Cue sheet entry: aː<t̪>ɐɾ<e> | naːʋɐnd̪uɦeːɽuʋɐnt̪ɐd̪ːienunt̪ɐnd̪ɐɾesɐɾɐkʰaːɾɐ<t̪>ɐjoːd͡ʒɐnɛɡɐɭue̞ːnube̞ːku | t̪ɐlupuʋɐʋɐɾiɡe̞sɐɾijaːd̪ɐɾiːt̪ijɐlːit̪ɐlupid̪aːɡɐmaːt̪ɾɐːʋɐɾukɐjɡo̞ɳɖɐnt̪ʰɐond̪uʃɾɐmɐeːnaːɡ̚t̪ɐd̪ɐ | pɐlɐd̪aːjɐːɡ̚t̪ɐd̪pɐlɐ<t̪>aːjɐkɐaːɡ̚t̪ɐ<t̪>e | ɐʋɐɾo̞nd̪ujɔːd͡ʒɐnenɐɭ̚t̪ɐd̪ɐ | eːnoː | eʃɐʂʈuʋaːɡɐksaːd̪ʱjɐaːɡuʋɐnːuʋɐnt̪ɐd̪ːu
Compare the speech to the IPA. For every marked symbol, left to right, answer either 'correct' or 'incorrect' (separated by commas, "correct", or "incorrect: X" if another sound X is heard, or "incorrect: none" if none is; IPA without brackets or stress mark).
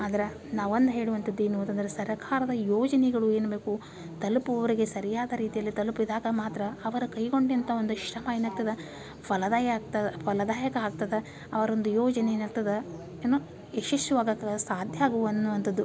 incorrect: d̪, correct, incorrect: d̪, incorrect: d̪, incorrect: d̪